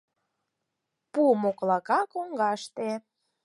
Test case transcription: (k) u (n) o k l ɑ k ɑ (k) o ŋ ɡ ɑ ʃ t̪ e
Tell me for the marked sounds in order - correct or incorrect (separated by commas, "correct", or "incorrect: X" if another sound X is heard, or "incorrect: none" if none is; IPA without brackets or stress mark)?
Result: incorrect: p, incorrect: m, correct